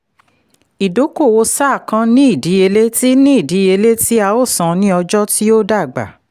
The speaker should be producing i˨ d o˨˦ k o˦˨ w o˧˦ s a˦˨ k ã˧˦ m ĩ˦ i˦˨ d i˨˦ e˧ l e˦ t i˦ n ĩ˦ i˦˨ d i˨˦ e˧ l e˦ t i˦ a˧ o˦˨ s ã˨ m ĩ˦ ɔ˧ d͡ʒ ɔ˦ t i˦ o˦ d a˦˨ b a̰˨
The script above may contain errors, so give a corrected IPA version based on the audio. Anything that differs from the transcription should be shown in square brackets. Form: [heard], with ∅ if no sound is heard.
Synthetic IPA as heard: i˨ d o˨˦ k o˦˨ w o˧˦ s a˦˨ k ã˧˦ [n] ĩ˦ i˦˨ d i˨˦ e˧ l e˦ t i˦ n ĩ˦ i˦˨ d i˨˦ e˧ l e˦ t i˦ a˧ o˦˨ s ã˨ [n] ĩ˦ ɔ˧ d͡ʒ ɔ˦ t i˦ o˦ d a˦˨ [ɡ͡b] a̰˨